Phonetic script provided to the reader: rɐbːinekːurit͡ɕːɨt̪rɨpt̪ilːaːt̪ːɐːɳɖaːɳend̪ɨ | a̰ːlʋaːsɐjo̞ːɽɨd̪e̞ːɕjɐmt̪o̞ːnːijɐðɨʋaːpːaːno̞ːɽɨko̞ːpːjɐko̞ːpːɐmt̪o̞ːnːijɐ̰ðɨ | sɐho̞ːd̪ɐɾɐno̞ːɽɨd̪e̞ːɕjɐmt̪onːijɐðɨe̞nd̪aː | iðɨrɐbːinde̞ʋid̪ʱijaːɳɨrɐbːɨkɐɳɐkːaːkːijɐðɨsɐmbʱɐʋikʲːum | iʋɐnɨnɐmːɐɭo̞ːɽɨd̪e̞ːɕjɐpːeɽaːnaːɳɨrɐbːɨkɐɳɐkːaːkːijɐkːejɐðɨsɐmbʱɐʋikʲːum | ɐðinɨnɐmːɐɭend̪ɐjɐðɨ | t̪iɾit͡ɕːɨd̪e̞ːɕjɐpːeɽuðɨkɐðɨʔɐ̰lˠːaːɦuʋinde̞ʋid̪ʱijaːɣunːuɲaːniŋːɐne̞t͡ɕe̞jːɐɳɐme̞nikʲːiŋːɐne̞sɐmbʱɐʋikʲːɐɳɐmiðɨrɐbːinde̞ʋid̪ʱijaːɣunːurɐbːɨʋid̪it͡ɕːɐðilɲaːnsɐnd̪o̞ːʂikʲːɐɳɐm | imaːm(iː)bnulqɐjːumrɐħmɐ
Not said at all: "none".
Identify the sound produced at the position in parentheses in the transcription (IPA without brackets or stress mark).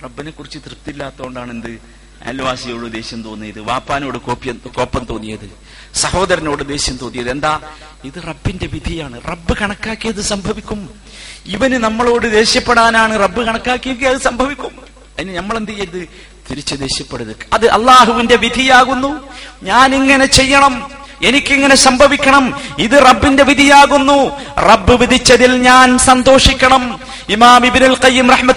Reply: i